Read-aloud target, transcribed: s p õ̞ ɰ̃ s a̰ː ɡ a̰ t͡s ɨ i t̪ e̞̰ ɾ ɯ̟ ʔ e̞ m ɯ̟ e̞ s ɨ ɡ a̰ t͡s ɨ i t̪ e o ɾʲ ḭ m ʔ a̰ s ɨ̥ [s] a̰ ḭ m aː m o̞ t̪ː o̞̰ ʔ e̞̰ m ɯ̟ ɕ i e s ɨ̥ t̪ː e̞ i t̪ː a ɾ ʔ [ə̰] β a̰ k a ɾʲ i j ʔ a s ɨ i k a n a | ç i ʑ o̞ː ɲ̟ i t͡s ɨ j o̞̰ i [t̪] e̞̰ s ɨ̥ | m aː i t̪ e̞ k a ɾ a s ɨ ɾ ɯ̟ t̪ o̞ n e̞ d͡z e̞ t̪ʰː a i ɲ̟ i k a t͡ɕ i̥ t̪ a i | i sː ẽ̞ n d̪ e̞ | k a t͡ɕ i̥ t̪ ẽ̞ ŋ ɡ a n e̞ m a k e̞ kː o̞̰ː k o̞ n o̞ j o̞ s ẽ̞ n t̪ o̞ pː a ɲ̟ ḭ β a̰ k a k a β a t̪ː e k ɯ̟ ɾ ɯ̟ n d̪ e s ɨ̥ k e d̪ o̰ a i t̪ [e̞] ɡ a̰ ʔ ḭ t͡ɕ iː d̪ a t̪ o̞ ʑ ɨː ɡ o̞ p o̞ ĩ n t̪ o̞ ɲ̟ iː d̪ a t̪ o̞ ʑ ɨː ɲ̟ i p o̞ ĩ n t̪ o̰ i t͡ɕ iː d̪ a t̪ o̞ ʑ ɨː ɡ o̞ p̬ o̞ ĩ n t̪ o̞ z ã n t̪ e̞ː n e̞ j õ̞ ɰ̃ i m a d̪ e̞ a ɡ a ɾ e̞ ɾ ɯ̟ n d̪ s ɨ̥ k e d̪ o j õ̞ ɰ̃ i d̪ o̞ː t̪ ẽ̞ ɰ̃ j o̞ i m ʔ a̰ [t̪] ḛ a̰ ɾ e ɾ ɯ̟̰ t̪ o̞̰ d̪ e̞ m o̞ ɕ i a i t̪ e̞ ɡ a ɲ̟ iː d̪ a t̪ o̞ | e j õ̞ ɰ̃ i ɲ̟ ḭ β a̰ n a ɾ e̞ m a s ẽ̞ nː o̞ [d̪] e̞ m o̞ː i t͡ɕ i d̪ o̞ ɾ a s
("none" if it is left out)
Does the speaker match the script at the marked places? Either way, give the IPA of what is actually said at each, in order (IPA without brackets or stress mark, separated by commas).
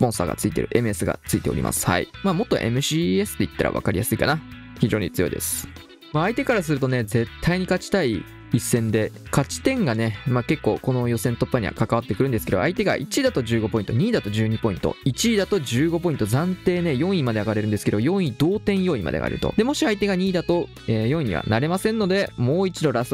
h, a̰, d̪, e̞, d̪, d̪